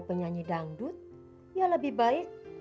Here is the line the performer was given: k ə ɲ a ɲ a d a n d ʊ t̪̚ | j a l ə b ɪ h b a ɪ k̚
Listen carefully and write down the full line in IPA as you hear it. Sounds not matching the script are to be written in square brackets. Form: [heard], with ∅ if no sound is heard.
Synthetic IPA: [p] ə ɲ a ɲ [i] d a [ŋ] d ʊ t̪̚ | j a l ə b ɪ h b a ɪ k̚